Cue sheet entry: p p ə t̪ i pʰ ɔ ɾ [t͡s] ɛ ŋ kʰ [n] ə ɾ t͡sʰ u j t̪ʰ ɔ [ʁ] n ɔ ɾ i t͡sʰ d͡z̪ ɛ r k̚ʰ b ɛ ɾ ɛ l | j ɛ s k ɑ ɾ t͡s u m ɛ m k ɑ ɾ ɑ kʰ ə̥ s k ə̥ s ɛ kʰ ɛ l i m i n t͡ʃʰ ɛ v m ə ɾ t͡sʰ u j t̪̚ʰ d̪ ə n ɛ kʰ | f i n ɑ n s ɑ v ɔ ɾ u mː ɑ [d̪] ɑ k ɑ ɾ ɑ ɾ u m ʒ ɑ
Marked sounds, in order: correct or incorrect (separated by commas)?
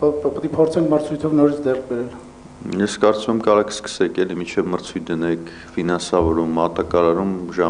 incorrect, incorrect, incorrect, incorrect